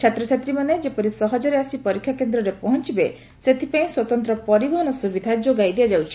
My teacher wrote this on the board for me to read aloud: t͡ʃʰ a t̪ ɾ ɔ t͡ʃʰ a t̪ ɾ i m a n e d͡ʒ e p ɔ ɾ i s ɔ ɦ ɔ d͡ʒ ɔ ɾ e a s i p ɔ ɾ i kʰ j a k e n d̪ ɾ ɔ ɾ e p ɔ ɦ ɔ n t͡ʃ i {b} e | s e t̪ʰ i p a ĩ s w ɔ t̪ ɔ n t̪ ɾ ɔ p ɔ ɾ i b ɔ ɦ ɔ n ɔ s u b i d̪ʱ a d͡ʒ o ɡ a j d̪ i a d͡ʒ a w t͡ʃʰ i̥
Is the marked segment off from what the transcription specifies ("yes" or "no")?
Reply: no